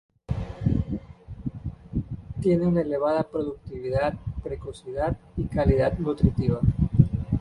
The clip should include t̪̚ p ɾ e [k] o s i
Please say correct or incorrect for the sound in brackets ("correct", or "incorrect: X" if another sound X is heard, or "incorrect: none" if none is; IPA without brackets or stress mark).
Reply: correct